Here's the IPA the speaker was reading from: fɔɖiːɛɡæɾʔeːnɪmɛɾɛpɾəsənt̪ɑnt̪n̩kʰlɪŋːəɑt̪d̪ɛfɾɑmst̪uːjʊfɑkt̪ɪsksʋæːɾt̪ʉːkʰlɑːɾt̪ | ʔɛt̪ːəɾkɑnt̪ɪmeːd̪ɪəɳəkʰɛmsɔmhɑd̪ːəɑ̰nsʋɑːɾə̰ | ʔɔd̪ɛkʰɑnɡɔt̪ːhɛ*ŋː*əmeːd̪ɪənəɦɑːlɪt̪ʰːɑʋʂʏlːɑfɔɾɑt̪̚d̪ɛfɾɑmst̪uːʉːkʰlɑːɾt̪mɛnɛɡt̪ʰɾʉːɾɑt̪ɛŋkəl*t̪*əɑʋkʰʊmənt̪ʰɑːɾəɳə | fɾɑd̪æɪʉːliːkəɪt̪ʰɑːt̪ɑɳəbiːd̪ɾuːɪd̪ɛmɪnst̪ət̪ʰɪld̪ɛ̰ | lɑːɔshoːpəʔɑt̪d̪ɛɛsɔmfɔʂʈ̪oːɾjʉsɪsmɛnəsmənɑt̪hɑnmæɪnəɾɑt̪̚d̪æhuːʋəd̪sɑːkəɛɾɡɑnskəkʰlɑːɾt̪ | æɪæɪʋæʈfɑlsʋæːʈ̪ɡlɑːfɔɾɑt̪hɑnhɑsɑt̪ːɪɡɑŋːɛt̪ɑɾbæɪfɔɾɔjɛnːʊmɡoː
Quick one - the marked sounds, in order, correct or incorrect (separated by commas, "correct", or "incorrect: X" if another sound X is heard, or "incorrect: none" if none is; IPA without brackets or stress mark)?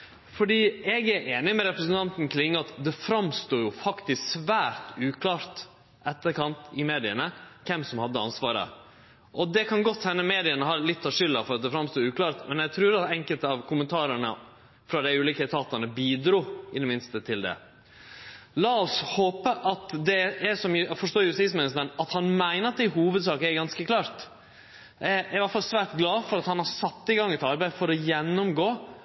incorrect: nː, correct